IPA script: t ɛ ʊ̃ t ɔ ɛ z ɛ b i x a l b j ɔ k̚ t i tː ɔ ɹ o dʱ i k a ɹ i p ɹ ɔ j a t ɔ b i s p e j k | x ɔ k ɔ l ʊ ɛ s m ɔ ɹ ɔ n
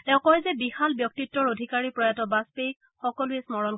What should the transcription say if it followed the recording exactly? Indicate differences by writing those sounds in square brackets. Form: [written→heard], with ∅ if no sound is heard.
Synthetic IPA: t ɛ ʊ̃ [t→k] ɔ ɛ z ɛ b i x a l b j ɔ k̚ t i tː ɔ ɹ o dʱ i k a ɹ i p ɹ ɔ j a t ɔ b [i→a] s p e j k | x ɔ k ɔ l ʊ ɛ s m ɔ ɹ ɔ n